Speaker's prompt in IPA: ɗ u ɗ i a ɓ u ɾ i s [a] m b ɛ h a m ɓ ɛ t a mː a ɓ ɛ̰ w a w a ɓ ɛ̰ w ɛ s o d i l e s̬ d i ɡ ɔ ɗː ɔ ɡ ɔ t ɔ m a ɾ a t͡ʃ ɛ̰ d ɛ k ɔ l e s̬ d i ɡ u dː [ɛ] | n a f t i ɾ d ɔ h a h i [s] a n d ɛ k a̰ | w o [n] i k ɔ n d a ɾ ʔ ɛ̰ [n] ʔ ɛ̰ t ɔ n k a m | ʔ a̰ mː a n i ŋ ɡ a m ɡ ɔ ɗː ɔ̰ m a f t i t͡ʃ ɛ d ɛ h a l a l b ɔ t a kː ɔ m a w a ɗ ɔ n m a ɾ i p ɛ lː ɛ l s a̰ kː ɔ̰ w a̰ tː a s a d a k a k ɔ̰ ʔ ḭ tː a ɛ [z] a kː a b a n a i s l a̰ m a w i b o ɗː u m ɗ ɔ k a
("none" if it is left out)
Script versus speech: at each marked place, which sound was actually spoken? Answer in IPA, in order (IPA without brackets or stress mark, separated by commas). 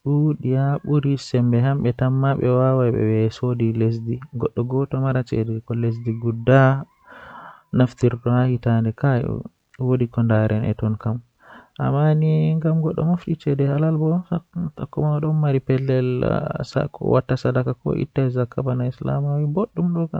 ɛ, a, t, d, n, z